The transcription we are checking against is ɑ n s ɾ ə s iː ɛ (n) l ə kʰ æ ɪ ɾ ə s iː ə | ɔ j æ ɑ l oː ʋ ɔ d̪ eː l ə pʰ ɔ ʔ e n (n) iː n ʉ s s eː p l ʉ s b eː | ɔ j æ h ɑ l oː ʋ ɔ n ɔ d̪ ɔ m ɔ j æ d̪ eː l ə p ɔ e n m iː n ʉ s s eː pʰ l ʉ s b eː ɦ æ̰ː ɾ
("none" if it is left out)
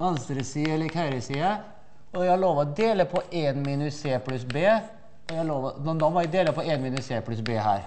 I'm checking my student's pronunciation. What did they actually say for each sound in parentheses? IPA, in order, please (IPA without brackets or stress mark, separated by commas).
none, m